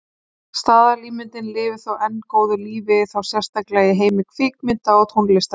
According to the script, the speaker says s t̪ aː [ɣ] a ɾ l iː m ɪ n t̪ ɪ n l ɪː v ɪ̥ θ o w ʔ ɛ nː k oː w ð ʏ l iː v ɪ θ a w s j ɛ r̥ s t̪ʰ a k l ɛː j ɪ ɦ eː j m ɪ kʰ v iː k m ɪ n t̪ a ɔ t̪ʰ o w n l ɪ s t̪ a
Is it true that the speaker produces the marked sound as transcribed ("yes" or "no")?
no